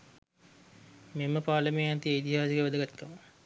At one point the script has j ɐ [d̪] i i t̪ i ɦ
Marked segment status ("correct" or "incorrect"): incorrect